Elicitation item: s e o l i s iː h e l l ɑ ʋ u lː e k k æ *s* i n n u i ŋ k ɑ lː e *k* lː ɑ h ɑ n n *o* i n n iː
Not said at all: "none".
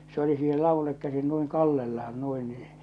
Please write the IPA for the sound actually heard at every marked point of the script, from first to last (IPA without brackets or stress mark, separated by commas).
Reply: s, none, u